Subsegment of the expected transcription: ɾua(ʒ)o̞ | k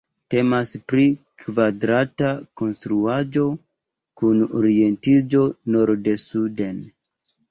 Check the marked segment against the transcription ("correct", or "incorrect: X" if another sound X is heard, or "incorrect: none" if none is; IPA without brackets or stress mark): incorrect: d͡ʒ